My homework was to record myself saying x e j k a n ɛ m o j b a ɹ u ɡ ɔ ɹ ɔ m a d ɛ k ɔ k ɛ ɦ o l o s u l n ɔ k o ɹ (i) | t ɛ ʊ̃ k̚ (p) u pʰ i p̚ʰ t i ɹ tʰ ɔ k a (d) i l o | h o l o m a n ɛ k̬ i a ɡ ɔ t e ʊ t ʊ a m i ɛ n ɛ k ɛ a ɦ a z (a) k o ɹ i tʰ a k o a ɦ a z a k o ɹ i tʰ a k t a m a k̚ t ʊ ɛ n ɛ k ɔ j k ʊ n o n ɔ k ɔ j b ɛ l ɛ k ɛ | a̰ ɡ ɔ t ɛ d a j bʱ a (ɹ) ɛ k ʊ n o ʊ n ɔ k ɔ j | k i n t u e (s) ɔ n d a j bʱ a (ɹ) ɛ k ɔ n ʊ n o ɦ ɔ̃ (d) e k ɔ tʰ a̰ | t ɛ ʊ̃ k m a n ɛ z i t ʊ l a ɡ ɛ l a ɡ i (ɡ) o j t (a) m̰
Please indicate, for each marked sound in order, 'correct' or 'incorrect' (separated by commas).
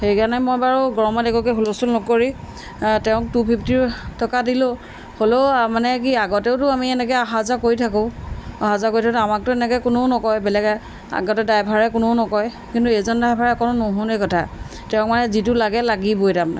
correct, incorrect, correct, correct, correct, incorrect, correct, incorrect, incorrect, correct